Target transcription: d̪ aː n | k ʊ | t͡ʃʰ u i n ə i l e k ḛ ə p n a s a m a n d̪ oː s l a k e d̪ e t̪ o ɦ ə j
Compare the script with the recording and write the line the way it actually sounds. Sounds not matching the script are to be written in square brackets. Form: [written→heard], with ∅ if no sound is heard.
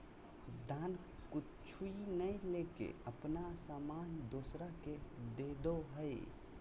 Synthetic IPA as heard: d̪ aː n | k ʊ | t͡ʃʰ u i n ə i l e k ḛ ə p n a s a m a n d̪ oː s [l→ɾ] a k e d̪ e [t̪→d̪] o ɦ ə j